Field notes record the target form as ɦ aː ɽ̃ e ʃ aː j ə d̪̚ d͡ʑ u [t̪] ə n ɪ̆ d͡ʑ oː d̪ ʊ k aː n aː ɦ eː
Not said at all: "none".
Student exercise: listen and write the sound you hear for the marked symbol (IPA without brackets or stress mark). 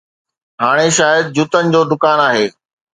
t̪